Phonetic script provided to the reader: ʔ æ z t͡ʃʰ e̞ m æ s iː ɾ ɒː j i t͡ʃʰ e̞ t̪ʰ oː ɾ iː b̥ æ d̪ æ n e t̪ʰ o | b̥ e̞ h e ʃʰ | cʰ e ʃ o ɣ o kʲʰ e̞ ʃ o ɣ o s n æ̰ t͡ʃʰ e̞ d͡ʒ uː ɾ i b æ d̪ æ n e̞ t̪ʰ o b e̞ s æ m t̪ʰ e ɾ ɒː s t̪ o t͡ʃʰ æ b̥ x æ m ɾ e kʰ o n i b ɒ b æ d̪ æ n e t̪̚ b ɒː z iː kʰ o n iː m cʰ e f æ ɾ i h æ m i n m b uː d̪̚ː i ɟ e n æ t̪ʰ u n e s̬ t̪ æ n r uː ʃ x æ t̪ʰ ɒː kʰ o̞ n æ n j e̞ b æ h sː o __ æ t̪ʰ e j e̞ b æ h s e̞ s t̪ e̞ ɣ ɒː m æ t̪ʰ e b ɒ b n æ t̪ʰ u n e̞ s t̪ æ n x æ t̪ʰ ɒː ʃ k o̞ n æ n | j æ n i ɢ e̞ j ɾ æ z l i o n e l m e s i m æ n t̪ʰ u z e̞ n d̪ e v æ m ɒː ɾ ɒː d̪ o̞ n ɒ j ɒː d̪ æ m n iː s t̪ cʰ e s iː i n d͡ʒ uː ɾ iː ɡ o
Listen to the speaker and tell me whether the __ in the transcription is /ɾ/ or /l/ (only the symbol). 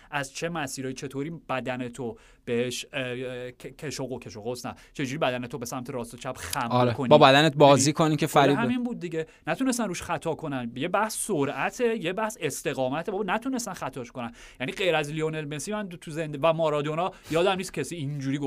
ɾ